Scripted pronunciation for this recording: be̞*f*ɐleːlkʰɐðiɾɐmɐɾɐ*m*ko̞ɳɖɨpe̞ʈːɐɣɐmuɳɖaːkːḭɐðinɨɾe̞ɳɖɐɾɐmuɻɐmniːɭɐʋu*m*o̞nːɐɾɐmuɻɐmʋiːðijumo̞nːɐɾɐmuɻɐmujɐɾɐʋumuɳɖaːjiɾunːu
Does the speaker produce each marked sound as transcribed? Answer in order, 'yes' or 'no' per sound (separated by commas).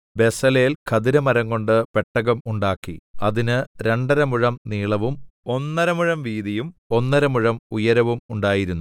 no, no, yes